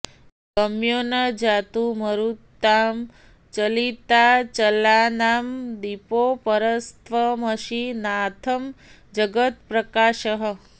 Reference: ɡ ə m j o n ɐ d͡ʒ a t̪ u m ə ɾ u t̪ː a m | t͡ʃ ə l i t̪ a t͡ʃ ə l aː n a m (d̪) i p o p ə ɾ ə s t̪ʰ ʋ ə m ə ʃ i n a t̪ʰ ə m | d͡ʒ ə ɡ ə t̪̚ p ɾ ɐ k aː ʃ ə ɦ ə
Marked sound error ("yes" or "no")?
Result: no